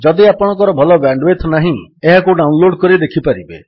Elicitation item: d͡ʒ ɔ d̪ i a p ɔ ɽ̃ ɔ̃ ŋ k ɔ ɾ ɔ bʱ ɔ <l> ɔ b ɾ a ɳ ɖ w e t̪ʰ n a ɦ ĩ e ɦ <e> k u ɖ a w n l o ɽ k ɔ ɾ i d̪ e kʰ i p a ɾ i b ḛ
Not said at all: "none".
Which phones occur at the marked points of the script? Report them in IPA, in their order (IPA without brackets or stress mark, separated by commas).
l, a